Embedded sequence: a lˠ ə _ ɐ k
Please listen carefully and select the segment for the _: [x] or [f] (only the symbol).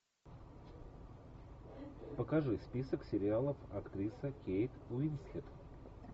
f